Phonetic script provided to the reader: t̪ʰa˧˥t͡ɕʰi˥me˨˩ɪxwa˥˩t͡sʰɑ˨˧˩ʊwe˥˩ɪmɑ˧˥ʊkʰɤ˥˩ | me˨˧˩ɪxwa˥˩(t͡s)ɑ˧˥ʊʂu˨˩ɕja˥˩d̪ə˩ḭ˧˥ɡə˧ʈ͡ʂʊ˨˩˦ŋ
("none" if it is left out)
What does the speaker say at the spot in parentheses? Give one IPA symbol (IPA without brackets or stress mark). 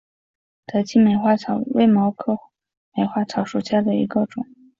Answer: t͡sʰ